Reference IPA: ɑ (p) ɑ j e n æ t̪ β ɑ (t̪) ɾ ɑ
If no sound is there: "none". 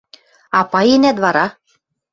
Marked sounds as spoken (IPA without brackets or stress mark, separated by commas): p, none